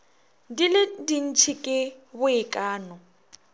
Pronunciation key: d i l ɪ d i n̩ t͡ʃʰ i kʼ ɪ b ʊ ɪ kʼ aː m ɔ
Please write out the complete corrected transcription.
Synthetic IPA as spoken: d i l ɪ d i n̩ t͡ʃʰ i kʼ ɪ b ʊ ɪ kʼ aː n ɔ